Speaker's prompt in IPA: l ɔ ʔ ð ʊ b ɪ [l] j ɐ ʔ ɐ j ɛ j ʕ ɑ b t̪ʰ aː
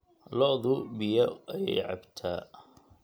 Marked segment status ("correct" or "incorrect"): incorrect